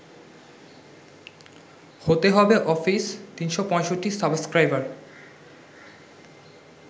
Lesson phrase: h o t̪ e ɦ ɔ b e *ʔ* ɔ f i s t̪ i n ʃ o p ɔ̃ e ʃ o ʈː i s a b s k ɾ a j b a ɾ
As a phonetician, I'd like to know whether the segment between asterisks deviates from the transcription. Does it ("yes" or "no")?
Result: no